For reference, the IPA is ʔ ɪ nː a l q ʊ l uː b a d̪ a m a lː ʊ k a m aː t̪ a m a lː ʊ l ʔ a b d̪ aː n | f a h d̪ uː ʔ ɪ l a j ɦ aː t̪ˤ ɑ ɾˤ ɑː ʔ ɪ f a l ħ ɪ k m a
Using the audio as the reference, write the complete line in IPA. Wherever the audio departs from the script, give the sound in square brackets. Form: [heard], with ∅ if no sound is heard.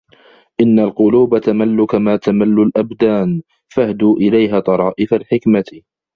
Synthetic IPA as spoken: ʔ ɪ nː a l q ʊ l uː b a [t̪] a m a lː ʊ k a m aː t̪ a m a lː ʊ l ʔ a b d̪ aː n | f a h d̪ uː ʔ ɪ l a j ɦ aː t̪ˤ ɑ ɾˤ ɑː ʔ ɪ f a l ħ ɪ k m a